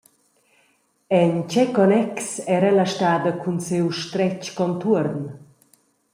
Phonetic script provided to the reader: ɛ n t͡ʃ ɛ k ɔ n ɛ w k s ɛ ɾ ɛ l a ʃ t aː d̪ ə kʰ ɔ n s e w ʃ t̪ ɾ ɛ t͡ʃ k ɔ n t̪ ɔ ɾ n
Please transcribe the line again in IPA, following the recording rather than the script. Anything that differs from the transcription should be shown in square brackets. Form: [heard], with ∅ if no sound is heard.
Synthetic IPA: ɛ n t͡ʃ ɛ k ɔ n ɛ [∅] k s ɛ ɾ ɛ l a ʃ t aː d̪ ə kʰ [u] n s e w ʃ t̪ ɾ ɛ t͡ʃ k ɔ n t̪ [u] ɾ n